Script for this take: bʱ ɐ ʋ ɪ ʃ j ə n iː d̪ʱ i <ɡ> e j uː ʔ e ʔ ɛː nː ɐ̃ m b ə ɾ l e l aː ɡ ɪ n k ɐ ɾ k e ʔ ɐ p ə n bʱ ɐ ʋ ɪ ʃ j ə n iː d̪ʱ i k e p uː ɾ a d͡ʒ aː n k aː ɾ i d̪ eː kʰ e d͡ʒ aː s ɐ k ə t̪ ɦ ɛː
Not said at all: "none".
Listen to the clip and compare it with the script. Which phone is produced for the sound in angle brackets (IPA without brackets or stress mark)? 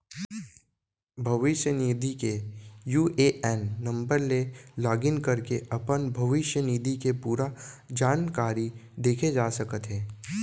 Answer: k